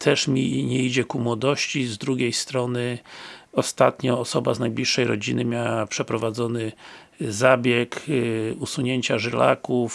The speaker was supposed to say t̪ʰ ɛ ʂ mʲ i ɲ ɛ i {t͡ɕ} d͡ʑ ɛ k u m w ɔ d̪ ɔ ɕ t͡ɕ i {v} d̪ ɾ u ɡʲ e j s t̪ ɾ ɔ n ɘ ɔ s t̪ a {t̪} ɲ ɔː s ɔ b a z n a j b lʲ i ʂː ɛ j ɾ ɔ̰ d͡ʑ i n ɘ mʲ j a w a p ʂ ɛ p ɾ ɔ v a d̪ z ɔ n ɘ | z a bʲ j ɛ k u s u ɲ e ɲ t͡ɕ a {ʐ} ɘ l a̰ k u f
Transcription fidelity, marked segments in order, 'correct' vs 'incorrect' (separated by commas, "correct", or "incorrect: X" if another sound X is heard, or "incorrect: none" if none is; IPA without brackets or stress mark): incorrect: none, incorrect: z, correct, correct